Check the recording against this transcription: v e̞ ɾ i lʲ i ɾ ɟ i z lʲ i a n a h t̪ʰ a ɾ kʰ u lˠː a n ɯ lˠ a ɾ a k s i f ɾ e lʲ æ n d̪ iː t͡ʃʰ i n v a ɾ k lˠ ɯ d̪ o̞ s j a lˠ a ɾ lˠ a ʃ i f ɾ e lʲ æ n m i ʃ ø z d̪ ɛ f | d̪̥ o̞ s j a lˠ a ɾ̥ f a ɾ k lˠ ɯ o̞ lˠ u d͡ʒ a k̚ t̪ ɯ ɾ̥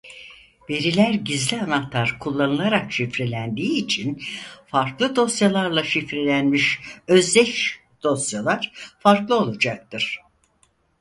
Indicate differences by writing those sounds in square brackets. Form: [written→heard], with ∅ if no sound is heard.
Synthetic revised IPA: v e̞ ɾ i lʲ [i→æ] ɾ ɟ i z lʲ i a n a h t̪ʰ a ɾ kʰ u lˠː a n ɯ lˠ a ɾ a k [s→ʃ] i f ɾ e lʲ æ n d̪ iː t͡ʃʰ i n [v→f] a ɾ k lˠ ɯ d̪ o̞ s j a lˠ a ɾ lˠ a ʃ i f ɾ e lʲ æ n m i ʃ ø z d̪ ɛ [f→ʃ] | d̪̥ o̞ s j a lˠ a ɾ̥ f a ɾ k lˠ ɯ o̞ lˠ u d͡ʒ a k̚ t̪ ɯ ɾ̥